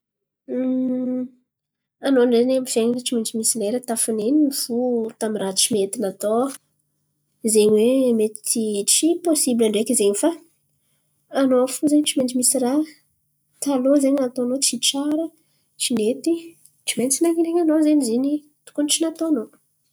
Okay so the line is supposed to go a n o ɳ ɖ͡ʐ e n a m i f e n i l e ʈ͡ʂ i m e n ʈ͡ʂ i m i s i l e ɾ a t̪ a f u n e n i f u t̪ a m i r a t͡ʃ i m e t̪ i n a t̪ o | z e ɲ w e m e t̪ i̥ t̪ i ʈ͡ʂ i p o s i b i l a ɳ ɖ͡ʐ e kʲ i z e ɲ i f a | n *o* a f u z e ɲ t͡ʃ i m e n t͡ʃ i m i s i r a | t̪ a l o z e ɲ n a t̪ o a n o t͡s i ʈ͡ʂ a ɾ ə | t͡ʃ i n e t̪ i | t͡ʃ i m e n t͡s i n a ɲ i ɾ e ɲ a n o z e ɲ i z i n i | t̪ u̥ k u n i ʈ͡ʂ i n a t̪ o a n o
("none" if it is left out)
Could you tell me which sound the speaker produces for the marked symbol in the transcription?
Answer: o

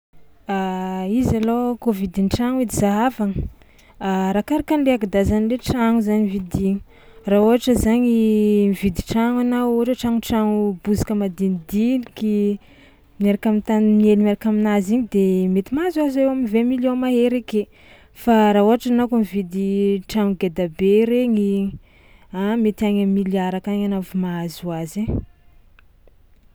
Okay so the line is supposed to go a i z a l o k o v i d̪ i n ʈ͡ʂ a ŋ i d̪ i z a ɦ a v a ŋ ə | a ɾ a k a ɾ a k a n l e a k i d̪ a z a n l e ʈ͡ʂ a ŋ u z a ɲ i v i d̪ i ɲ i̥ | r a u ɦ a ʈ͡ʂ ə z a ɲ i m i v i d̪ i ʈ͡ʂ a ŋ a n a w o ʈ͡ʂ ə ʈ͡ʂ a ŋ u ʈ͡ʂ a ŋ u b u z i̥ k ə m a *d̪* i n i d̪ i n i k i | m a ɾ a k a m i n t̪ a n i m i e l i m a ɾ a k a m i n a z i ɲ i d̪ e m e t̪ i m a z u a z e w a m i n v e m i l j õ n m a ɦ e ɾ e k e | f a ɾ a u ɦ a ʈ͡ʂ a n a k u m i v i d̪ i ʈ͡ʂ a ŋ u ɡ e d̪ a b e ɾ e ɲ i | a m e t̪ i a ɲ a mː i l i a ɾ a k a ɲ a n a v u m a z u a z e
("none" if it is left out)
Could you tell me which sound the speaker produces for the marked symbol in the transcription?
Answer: d̪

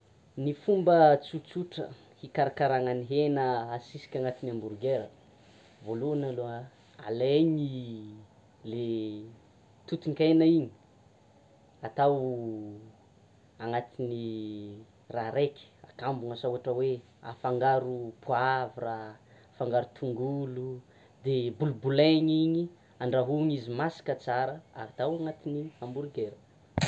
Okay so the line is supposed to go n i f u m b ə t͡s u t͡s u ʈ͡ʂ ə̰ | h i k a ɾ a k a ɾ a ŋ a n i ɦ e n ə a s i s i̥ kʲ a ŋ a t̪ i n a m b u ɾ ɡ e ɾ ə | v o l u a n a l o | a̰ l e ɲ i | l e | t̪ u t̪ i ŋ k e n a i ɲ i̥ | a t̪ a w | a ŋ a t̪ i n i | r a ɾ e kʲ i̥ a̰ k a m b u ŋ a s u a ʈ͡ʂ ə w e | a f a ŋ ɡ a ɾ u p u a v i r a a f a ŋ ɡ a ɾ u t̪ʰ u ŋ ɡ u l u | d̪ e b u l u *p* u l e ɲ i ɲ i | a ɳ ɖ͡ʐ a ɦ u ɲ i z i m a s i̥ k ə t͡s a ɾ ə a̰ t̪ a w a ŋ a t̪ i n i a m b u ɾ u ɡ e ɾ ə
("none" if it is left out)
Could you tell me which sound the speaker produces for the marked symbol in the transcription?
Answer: b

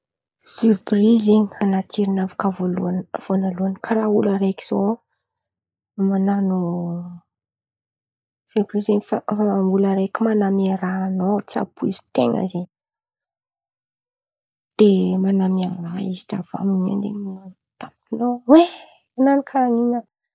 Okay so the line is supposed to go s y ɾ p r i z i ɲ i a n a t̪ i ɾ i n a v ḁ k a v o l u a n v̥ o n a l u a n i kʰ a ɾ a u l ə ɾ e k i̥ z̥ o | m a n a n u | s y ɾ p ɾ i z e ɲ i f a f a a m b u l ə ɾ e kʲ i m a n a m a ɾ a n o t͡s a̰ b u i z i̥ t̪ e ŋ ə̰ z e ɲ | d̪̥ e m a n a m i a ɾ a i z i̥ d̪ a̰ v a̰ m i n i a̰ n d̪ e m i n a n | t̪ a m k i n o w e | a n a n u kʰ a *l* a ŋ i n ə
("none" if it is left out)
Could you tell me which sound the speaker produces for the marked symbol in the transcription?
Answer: ɾ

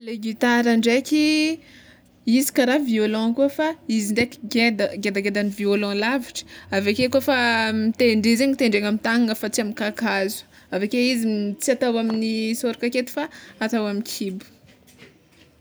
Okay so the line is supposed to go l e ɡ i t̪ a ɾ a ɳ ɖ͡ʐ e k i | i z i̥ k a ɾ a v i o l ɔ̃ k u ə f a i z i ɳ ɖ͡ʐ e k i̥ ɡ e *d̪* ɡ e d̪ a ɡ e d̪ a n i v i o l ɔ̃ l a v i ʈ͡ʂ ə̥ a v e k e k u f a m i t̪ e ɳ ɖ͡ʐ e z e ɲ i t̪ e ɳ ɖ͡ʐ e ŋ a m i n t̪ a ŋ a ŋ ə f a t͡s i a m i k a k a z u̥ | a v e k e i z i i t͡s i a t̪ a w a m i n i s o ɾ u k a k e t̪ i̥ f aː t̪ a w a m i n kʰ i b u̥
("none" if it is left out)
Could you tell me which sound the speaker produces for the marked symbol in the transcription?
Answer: d̪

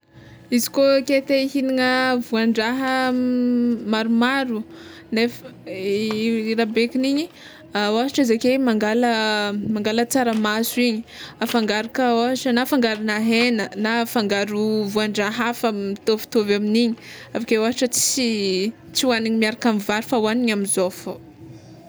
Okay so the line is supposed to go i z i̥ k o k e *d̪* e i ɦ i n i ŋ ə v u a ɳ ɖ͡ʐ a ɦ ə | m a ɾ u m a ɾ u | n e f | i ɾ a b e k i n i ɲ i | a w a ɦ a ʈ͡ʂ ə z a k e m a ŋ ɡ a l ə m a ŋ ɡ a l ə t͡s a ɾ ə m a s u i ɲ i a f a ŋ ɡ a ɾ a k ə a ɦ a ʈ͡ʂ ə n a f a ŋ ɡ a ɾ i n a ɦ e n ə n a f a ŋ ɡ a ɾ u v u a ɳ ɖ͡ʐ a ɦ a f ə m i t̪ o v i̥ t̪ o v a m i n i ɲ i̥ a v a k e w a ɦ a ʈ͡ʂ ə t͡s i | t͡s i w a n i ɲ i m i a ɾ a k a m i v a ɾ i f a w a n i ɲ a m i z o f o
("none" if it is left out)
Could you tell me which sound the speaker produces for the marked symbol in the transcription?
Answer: t̪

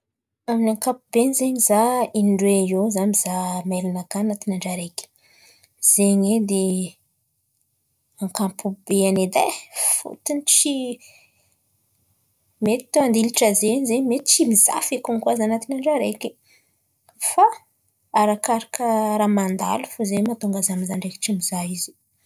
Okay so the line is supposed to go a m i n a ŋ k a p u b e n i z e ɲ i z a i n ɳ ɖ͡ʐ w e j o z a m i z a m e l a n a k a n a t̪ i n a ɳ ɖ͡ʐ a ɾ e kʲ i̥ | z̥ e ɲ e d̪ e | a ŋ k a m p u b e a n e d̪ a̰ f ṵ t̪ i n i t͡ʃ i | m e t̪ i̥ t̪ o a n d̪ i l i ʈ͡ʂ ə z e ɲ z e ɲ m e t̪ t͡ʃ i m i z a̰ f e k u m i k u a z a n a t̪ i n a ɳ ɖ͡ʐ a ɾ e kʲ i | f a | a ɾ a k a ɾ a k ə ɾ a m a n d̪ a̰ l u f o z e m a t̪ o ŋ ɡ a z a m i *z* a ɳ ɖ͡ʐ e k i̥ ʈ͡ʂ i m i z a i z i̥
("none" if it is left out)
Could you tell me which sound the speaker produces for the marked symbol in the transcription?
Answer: z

